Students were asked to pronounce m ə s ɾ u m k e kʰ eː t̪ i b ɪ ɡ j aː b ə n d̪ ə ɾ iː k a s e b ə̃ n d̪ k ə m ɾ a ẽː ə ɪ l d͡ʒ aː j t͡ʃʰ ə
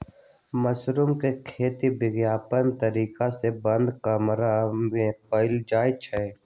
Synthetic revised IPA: m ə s ɾ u m k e kʰ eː t̪ i b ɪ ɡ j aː p ə n t̪ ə ɾ iː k a s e b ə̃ n d̪ k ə m ɾ a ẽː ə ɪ l d͡ʒ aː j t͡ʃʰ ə